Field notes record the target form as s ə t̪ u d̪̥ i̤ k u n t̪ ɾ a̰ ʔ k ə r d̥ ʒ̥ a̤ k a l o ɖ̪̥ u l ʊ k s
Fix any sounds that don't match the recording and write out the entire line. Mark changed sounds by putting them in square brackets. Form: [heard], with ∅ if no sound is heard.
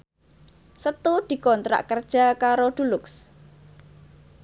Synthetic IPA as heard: s ə t̪ u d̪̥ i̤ k [ɔ] n t̪ ɾ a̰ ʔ k ə r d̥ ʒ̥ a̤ k a [ɾ] o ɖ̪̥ u l ʊ k s